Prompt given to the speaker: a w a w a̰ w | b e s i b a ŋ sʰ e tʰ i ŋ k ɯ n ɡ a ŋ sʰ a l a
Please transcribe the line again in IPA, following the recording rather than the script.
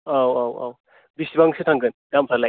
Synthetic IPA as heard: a w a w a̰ w | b i s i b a ŋ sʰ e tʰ a ŋ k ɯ n ɡ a m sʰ a l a

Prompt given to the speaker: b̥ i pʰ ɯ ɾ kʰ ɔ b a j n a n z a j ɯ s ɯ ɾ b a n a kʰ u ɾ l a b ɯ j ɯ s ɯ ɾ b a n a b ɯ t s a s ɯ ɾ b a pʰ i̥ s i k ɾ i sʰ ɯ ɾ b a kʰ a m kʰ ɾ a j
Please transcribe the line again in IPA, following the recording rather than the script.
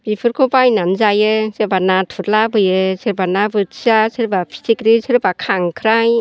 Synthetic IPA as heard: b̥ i pʰ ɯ ɾ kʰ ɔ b a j n a n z a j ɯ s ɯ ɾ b a n a tʰ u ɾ l a b ɯ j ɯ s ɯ ɾ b a n a b ɯ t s a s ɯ ɾ b a pʰ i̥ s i k ɾ i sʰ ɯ ɾ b a kʰ a ŋ kʰ ɾ a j

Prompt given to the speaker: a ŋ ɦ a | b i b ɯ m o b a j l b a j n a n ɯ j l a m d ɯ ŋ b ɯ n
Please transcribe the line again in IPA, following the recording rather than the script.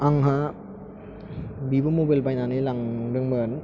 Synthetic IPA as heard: a ŋ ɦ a | b i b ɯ m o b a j l b a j n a n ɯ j l a ŋ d ɯ ŋ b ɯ n

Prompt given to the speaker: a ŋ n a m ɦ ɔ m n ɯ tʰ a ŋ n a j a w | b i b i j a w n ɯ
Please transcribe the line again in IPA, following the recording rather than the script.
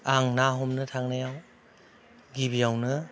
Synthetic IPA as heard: a ŋ n a ɦ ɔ m n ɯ tʰ a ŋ n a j a w | ɡ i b i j a w n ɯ

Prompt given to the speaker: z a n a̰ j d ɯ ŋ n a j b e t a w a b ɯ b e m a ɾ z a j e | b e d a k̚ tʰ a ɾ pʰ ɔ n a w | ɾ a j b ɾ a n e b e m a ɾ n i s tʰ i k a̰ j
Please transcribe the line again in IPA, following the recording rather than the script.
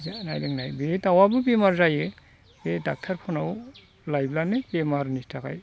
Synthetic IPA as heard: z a n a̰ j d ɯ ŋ n a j b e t a w a b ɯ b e m a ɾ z a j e | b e d a k̚ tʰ a ɾ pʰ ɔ n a w | l a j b l a n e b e m a ɾ n i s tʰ a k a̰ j

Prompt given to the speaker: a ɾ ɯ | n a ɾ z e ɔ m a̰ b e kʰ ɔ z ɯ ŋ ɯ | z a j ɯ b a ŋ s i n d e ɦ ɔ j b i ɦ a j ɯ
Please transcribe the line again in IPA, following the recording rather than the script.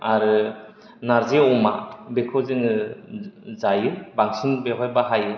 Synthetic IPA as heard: a ɾ ɯ | n a ɾ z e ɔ m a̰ b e kʰ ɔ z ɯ ŋ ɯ | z a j ɯ b a ŋ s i n b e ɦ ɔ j b a ɦ a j ɯ

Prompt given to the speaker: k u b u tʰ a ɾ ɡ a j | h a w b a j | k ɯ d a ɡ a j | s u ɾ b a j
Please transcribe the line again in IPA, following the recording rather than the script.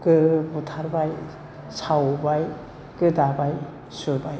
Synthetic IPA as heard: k ɯ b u tʰ a ɾ b a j | s a w b a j | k ɯ d a b a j | s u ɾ b a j

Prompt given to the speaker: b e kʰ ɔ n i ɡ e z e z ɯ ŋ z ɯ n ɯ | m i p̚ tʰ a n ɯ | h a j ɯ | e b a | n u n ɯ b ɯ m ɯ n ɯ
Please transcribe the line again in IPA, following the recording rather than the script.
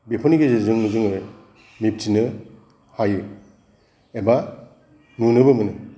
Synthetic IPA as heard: b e pʰ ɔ n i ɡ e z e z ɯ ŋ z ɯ ŋ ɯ | m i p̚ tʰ i n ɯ | h a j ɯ | e b a | n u n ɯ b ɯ m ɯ n ɯ

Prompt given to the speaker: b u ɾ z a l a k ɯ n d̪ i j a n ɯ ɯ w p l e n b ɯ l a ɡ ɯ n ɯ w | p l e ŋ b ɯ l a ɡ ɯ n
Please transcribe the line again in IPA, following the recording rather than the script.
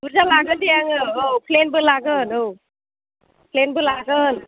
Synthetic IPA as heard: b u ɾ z a l a ɡ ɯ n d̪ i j a ŋ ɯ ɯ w p l e n b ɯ l a ɡ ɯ n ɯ w | p l e n b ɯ l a ɡ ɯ n

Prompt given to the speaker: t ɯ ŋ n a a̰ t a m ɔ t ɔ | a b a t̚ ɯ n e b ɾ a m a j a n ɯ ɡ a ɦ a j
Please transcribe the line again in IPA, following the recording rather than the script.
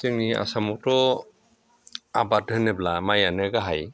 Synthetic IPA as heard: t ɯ ŋ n i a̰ s a m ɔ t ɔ | a b a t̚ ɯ n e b l a m a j a n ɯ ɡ a ɦ a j

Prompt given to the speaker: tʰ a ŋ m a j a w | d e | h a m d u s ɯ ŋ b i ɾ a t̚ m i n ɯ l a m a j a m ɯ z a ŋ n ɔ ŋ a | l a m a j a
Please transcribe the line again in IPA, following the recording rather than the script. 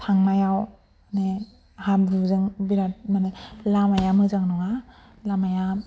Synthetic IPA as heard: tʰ a ŋ m a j a w | n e | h a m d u z ɯ ŋ b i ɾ a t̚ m a n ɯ l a m a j a m ɯ z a ŋ n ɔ ŋ a | l a m a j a

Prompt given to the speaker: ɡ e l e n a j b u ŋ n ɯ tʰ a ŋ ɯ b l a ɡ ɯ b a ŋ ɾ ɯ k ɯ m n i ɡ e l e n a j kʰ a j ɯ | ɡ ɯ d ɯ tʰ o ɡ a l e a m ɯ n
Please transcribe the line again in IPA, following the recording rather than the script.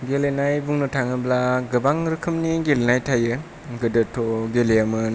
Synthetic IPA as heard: ɡ e l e n a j b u ŋ n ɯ tʰ a ŋ ɯ b l a ɡ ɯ b a ŋ ɾ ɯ kʰ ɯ m n i ɡ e l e n a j tʰ a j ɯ | ɡ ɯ d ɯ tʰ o ɡ e l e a m ɯ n

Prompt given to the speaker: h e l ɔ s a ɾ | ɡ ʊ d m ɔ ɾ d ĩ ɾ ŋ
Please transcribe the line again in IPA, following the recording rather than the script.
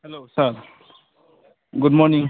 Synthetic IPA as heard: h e l o s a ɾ | ɡ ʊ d m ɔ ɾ n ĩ ŋ

